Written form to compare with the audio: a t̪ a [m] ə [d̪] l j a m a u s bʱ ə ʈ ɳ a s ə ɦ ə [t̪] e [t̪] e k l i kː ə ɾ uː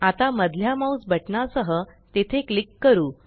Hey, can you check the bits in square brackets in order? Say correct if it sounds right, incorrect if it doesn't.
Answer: correct, correct, correct, incorrect: t̪ʰ

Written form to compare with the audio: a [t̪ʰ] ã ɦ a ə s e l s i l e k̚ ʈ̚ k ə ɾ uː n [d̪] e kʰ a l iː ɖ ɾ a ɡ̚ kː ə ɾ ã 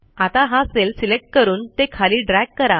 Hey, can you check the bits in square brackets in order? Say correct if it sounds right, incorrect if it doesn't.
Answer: incorrect: t̪, incorrect: t̪

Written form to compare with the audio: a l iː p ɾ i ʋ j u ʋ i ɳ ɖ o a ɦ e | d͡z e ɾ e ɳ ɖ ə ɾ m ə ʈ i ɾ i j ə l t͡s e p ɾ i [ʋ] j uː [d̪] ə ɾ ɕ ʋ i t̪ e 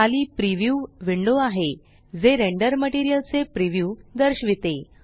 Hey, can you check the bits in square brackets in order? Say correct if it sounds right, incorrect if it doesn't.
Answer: correct, correct

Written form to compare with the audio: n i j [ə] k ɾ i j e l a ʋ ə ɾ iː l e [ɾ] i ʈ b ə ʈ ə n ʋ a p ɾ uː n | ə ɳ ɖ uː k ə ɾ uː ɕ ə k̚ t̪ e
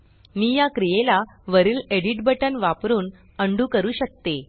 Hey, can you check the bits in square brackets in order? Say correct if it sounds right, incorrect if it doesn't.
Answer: incorrect: a, incorrect: ɽ

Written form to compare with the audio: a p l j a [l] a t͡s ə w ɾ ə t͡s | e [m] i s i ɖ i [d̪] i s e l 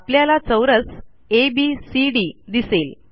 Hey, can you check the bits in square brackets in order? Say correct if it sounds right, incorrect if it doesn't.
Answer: correct, incorrect: b, correct

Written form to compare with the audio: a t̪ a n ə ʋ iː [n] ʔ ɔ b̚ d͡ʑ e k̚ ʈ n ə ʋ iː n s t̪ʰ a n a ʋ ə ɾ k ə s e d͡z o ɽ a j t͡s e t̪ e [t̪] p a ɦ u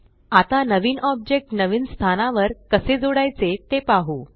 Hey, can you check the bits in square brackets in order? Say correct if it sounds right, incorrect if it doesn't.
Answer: correct, incorrect: none

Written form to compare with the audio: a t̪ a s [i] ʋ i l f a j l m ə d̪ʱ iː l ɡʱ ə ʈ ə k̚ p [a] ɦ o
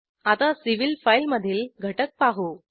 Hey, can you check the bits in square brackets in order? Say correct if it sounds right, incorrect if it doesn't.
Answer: correct, correct

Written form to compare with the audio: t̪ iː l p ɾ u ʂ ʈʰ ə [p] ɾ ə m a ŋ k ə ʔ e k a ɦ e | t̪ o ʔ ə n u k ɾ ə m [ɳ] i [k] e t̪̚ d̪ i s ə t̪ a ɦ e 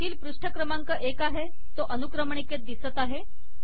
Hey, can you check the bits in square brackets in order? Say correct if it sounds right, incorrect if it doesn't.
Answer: incorrect: k, correct, correct

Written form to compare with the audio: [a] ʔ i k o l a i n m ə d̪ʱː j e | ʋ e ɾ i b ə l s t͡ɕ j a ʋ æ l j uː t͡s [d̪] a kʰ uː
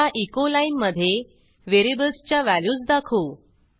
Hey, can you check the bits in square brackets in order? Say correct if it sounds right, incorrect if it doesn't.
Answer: correct, correct

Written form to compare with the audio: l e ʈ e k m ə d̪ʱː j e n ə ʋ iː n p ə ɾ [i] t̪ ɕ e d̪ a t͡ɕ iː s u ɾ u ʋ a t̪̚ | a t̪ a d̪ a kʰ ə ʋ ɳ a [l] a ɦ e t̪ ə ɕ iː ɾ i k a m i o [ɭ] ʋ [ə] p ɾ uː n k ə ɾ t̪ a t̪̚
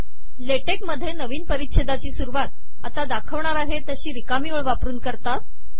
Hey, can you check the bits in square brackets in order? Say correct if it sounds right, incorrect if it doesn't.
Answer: correct, incorrect: ɾ, correct, incorrect: a

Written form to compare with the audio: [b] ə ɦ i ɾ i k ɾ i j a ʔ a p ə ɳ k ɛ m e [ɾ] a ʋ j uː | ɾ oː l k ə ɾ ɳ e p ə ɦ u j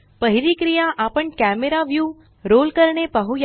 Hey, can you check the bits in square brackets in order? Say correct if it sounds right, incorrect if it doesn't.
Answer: incorrect: p, correct

